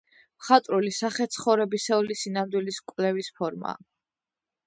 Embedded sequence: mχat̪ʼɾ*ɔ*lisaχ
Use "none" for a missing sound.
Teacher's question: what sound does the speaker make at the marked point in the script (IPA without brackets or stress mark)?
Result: u